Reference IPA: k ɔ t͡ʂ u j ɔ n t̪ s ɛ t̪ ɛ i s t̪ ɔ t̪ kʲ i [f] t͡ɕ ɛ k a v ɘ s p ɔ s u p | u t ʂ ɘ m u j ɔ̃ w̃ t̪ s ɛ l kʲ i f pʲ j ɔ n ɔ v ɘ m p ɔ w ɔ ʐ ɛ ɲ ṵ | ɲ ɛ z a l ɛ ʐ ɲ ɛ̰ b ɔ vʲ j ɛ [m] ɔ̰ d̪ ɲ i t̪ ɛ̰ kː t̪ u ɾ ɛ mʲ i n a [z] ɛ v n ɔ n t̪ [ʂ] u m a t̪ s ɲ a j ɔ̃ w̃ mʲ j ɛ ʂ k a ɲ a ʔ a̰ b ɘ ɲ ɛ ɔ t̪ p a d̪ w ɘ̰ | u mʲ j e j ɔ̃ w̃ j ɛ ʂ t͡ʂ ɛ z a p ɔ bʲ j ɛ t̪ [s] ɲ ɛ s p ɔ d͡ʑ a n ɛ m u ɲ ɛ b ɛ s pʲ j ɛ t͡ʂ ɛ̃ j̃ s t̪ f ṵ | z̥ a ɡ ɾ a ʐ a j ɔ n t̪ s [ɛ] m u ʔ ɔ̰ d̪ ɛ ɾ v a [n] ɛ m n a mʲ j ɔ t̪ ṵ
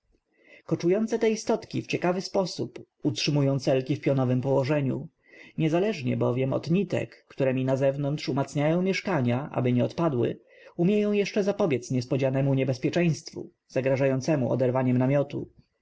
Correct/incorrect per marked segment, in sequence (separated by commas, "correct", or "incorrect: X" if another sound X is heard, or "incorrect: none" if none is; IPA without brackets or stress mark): correct, correct, correct, correct, correct, correct, incorrect: ɲ